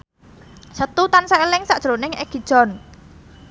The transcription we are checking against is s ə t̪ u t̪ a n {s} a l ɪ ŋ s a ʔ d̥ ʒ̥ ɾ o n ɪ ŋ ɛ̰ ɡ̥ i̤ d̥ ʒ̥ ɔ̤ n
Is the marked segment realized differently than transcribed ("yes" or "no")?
no